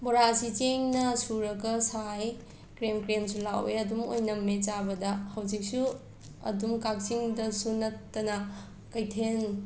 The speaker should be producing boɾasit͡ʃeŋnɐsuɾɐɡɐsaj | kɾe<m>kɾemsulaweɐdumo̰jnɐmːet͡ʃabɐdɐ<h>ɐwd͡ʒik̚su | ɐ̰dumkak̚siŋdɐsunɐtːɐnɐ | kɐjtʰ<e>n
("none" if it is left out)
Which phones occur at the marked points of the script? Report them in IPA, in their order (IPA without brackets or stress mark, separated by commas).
m, h, e